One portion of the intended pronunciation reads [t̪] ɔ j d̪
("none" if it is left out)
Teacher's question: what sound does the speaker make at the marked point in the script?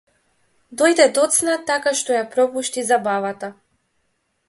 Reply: d̪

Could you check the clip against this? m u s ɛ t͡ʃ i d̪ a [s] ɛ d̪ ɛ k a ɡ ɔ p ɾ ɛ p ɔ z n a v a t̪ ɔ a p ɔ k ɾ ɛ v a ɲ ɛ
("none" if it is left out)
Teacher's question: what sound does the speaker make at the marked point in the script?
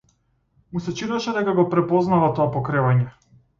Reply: ʃ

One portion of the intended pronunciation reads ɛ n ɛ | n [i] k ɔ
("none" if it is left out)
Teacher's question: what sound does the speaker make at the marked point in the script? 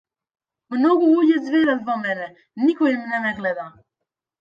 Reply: i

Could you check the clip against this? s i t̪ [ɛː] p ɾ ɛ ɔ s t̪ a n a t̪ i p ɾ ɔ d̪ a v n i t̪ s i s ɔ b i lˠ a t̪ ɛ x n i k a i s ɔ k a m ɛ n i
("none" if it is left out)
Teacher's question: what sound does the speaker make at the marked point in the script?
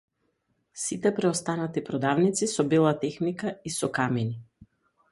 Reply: ɛ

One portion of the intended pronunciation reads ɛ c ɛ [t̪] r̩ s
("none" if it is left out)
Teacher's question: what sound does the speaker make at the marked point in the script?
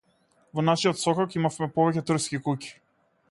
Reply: t̪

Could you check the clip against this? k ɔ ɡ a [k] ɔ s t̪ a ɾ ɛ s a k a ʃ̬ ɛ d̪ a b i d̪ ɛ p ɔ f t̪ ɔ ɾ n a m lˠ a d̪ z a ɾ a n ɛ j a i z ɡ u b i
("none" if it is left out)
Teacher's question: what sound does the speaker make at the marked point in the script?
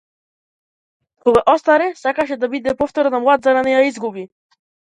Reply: ʔ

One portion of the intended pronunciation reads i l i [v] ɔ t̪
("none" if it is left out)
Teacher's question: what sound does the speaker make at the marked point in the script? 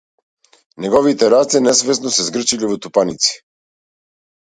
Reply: v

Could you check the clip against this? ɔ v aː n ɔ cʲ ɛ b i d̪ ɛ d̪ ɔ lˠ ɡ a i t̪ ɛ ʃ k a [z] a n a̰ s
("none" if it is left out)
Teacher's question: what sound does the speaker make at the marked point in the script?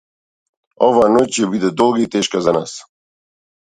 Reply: z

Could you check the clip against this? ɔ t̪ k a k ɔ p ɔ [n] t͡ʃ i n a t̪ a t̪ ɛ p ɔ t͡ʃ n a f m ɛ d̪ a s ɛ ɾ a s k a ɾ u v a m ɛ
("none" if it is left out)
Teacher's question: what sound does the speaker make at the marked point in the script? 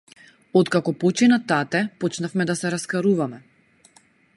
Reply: none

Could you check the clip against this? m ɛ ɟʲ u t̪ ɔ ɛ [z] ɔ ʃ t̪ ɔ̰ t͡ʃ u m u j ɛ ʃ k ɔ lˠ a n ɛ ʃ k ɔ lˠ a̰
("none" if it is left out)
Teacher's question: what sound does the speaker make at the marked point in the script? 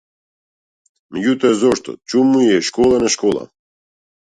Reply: z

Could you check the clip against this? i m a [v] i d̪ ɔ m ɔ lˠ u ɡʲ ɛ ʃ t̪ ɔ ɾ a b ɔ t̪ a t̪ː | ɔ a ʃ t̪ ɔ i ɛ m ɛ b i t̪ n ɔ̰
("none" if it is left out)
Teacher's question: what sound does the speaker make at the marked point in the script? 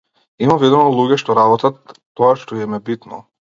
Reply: v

